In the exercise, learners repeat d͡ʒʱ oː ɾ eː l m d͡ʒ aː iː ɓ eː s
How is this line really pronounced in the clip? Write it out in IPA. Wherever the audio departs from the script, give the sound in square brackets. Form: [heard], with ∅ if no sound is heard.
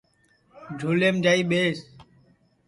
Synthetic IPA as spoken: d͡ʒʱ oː [l] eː [∅] m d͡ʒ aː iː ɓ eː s